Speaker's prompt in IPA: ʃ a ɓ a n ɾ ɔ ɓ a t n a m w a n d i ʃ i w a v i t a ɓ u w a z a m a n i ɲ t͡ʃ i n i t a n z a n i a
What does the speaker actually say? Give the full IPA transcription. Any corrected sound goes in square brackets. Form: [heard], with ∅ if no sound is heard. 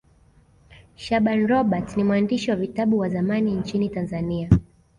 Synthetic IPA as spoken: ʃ a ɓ a n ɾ ɔ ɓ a t n [i] m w a n d i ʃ i w a v i t a ɓ u w a z a m a n i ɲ t͡ʃ i n i t a n z a n i a